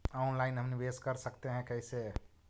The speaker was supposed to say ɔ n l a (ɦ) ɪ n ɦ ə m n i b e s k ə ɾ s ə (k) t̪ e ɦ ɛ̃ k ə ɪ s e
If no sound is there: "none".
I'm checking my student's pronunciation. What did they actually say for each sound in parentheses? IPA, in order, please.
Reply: none, k

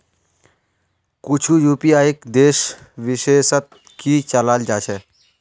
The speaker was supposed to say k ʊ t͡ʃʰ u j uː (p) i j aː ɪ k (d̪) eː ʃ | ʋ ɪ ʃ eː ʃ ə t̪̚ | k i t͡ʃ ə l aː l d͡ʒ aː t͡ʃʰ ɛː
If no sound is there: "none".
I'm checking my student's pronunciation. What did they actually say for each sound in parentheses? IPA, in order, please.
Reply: p, d̪

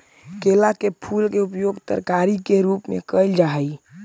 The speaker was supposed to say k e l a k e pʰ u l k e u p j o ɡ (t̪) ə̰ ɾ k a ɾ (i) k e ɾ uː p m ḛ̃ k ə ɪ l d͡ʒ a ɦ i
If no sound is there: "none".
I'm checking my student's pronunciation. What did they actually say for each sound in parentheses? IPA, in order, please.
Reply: t̪, i

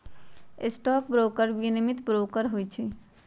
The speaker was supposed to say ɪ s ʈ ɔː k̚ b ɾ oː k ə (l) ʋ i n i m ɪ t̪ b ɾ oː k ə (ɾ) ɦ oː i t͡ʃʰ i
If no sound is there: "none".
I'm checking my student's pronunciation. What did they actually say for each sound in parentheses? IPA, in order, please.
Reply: ɾ, ɾ

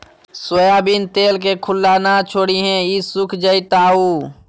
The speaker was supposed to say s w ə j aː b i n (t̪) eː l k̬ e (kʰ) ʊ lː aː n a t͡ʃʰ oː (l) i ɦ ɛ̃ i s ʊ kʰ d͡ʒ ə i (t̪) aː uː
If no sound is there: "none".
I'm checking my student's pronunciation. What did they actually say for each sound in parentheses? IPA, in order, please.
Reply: t̪, kʰ, ɽ, t̪

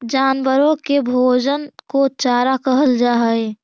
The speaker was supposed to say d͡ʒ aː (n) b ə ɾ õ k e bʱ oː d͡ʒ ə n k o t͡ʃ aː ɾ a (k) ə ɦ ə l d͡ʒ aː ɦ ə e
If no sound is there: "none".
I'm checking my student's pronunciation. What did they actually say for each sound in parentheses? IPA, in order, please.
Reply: n, k

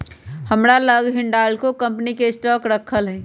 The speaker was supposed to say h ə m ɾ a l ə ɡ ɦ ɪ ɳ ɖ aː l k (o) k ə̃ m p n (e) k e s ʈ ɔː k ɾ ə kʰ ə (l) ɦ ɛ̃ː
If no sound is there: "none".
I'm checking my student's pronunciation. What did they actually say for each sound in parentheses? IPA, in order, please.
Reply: o, i, l

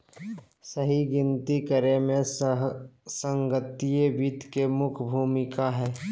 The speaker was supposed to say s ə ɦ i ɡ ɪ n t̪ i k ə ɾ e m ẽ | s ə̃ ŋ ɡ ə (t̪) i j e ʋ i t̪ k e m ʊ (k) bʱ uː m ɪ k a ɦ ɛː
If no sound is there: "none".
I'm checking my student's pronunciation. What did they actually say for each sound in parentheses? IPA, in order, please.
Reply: t̪, kʰ

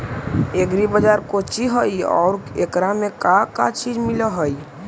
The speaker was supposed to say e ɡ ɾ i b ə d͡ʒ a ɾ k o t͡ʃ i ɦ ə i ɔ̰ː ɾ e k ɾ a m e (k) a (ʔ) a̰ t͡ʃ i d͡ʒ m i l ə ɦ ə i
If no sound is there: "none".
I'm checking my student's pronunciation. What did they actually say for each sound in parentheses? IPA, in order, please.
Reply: k, k

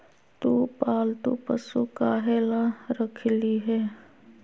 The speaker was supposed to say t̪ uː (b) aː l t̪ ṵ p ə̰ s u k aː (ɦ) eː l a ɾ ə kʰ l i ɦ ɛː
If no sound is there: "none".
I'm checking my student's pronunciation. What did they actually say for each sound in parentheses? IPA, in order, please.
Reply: p, ɦ

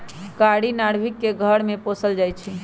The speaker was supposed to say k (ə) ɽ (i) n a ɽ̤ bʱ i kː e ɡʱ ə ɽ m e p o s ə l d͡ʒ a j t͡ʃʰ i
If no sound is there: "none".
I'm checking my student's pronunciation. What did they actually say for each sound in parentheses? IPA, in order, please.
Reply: a, i

